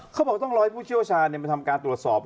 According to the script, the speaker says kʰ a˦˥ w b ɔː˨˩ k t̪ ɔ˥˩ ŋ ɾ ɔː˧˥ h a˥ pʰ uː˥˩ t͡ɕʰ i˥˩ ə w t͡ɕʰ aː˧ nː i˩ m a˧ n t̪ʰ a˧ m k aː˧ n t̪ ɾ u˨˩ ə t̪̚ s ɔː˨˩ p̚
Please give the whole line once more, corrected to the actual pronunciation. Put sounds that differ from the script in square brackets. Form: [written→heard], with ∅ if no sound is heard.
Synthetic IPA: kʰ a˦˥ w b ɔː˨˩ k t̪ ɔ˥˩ ŋ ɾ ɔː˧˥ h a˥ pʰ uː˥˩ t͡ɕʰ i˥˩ ə w t͡ɕʰ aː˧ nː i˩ m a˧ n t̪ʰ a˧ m k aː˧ n t̪ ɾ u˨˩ ə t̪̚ s ɔː˨˩ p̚